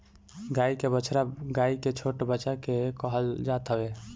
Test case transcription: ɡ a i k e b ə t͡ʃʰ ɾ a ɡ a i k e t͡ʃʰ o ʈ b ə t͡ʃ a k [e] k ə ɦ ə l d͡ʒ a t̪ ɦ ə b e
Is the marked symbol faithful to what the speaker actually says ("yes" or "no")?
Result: yes